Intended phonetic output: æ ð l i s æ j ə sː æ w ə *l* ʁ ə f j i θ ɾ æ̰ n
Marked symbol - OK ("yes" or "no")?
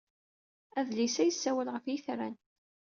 yes